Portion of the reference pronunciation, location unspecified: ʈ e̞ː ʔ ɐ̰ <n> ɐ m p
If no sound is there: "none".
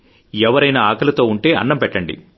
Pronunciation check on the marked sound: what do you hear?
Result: nː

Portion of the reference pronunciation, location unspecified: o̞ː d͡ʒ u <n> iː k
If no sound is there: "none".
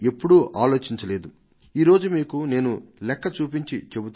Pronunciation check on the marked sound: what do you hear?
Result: m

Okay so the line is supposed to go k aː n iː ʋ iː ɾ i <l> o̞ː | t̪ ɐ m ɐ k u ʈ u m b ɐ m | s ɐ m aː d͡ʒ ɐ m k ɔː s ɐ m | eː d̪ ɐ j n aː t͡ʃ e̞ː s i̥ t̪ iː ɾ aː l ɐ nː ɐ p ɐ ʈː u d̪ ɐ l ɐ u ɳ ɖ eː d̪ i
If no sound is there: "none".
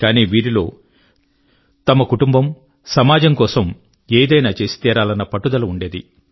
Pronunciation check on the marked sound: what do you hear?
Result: l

